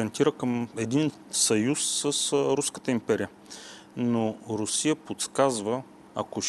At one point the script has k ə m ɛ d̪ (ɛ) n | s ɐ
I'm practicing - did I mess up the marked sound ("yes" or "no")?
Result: yes